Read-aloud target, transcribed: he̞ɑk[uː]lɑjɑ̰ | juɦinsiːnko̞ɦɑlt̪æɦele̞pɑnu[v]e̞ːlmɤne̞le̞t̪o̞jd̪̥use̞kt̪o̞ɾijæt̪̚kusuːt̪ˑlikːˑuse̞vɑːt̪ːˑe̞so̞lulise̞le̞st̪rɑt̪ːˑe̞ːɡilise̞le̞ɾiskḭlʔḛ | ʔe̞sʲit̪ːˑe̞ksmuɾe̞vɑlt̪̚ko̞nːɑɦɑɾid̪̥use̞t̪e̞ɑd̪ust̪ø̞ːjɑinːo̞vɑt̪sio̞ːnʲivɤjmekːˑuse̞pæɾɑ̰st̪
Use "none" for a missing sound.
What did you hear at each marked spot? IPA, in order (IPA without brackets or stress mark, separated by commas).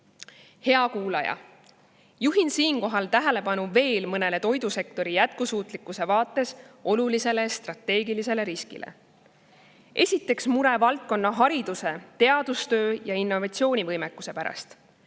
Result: uː, v